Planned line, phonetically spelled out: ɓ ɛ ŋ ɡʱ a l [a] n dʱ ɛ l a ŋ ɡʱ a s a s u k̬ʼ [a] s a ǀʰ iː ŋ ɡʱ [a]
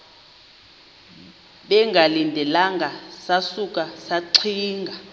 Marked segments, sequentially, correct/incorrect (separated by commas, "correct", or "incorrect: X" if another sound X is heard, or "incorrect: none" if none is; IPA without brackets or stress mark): incorrect: i, correct, correct